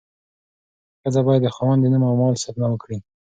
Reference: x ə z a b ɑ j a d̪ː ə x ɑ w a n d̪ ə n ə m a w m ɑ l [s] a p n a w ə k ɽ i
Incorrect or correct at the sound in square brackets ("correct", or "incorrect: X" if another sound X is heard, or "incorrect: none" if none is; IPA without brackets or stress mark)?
correct